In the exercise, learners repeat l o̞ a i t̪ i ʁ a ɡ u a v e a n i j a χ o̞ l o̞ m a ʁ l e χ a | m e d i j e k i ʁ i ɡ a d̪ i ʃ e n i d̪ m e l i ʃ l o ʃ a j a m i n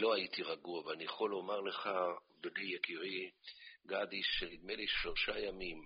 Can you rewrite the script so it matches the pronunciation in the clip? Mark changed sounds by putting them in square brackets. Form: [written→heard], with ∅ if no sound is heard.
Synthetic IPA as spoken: l o̞ a i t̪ i ʁ a ɡ u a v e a n i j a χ o̞ l o̞ m a ʁ l e χ a | [m→b] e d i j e k i ʁ i ɡ a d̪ i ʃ e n i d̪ m e l i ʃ l o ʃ a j a m i [n→m]